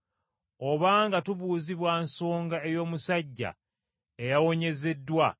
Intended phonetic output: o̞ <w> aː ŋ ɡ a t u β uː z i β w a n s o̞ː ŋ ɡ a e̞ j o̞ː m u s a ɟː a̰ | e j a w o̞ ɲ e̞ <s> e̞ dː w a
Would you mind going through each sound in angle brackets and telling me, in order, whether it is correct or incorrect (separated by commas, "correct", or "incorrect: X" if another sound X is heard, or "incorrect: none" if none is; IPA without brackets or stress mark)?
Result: incorrect: β, incorrect: z